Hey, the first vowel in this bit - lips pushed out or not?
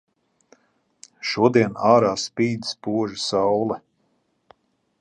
yes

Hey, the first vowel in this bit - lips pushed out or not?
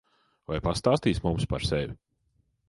no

